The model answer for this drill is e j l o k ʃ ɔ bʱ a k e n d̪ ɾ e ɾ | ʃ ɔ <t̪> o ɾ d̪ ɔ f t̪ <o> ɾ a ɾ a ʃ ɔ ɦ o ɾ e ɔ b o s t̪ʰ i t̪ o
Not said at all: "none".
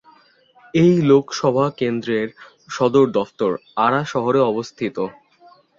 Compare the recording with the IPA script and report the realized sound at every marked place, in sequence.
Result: d̪, o

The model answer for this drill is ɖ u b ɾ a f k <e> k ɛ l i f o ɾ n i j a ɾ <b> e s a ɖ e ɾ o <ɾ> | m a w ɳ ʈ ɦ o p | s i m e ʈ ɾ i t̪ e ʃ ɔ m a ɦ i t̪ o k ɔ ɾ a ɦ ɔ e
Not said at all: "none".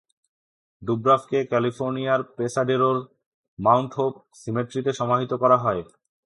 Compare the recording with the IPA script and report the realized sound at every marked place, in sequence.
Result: e, p, ɾ

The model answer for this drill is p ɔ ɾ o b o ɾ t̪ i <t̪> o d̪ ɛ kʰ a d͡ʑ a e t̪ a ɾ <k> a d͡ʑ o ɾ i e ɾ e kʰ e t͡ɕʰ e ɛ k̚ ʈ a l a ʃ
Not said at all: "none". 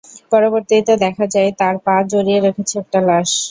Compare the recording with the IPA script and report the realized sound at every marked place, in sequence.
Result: t̪, p

